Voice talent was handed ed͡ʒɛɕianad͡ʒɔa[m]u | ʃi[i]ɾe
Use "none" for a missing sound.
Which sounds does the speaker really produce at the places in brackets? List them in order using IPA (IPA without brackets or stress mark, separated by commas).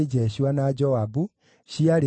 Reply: b, a